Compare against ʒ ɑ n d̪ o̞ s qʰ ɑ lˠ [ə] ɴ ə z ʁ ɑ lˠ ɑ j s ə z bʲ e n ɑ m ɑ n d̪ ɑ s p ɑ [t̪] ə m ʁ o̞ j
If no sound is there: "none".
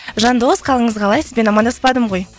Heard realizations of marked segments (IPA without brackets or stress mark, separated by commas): ə, d̪